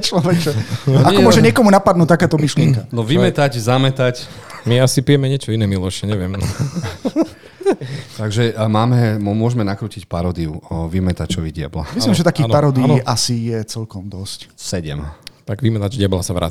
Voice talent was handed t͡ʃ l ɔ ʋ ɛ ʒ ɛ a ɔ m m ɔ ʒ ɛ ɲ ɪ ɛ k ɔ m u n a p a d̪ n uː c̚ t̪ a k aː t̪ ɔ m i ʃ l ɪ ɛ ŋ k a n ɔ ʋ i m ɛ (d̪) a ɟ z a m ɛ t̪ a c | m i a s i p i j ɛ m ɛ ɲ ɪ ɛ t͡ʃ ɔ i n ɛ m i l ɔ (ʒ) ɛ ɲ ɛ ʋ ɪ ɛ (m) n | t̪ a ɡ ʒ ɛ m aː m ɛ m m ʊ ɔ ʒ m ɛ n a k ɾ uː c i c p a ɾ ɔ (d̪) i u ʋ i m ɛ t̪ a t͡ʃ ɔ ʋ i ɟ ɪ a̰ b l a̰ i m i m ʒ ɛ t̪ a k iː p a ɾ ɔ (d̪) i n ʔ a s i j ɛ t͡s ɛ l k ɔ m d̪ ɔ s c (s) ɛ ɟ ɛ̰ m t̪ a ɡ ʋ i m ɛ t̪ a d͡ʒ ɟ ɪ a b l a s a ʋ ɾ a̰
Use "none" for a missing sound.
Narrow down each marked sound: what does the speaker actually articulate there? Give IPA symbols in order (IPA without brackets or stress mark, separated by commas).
t̪, ʃ, m, d̪, d̪, s